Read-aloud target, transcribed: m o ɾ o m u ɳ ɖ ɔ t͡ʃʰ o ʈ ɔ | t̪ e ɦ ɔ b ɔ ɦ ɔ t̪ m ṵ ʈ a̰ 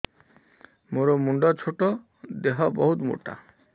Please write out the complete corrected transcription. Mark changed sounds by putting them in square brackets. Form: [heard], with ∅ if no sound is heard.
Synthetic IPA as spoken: m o ɾ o m u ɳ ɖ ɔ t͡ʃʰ o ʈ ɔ | [d̪] e ɦ ɔ b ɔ ɦ [u] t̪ m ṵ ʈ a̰